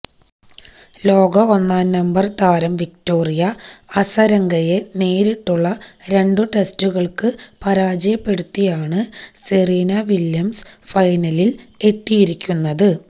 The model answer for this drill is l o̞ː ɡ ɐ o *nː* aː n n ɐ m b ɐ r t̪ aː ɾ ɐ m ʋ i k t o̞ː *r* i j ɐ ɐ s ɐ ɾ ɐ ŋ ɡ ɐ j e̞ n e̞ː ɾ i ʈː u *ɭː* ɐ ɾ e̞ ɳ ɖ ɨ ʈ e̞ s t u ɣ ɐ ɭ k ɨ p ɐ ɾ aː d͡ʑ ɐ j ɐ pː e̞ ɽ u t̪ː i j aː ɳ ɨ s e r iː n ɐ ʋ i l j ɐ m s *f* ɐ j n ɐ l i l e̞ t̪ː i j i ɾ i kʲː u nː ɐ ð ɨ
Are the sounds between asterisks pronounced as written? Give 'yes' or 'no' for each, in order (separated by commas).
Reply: yes, yes, yes, yes